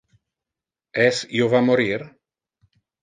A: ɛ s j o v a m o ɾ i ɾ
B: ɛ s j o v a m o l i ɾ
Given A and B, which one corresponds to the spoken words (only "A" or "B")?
A